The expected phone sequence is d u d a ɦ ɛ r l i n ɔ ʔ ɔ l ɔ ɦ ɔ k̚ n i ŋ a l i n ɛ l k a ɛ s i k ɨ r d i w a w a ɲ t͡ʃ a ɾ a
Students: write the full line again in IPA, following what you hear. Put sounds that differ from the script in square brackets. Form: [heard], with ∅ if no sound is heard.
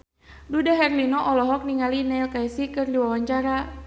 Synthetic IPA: d u d a ɦ ɛ r l i n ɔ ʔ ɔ l ɔ ɦ ɔ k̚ n i ŋ a l i n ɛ l k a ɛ s i k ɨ r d i w a w a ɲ t͡ʃ a ɾ a